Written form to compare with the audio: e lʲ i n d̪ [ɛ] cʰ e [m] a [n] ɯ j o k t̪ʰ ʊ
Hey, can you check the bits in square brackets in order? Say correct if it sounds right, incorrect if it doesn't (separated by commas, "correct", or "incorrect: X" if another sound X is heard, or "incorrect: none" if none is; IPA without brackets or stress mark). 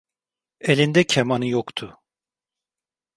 correct, correct, correct